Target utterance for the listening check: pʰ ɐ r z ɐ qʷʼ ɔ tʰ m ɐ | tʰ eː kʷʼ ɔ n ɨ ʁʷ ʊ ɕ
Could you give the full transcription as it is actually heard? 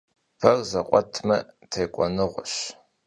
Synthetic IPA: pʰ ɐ r z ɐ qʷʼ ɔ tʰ m ɐ | tʰ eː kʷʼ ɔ n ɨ ʁʷ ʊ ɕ

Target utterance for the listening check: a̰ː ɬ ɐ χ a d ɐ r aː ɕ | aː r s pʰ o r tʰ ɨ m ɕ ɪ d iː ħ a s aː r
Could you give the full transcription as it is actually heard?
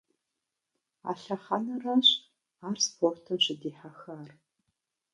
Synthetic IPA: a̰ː ɬ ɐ χ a n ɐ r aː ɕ | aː r s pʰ o r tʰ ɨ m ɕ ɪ d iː ħ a x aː r

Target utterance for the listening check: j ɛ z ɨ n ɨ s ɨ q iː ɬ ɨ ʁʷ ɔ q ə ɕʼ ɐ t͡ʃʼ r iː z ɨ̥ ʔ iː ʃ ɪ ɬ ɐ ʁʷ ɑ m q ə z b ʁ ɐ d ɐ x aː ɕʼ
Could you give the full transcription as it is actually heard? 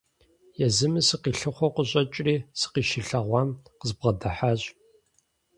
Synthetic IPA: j ɛ z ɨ m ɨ s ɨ q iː ɬ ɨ χʷ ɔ q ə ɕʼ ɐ t͡ʃʼ r iː s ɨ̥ q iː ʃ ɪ ɬ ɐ ʁʷ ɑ m q ə z b ʁ ɐ d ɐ ħ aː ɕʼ

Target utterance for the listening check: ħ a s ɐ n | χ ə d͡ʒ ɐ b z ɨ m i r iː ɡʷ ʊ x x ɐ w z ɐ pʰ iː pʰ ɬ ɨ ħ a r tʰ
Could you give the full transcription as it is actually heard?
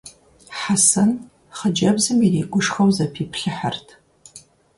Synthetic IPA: ħ a s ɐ n | χ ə d͡ʒ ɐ b z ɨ m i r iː ɡʷ ʊ ʂ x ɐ w z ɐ pʰ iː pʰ ɬ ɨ ħ a r tʰ

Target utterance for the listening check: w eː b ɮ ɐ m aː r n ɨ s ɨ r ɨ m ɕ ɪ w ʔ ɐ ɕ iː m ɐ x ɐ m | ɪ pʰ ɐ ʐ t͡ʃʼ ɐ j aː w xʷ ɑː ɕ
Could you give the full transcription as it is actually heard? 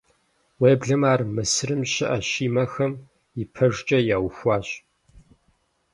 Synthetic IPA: w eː b ɮ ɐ m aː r m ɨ s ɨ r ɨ m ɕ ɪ ʔ ɐ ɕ iː m ɐ x ɐ m | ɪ pʰ ɐ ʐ t͡ʃʼ ɐ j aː w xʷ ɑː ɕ

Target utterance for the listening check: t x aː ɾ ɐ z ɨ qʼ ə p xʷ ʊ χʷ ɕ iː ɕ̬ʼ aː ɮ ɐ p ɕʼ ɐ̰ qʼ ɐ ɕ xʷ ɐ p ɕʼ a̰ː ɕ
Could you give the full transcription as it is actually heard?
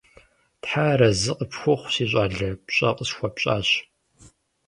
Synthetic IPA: t ħ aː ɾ ɐ z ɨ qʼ ə p xʷ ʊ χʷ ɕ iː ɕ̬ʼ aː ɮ ɐ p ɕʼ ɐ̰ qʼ ə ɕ xʷ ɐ p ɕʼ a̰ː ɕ

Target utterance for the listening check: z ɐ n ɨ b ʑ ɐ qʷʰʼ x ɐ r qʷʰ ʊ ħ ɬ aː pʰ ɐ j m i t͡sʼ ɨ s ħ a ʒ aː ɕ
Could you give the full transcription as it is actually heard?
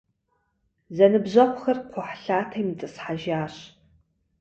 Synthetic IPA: z ɐ n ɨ b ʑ ɐ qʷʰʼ x ɐ r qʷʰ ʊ ħ ɬ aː tʰ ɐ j m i t͡sʼ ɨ s ħ a ʒ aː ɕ

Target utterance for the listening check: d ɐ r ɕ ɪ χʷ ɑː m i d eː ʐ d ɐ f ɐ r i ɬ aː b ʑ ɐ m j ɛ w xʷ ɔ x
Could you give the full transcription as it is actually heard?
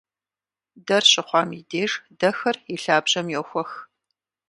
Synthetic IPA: d ɐ r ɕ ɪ χʷ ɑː m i d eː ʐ d ɐ x ɐ r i ɬ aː b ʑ ɐ m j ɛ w xʷ ɔ x

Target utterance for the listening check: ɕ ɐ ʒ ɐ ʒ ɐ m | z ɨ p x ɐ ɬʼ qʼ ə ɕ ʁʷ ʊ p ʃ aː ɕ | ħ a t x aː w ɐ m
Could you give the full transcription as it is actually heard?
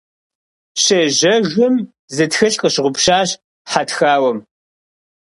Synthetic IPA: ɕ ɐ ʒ ɐ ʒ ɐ m | z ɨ t x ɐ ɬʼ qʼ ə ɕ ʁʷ ʊ p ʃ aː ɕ | ħ a t x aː w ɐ m

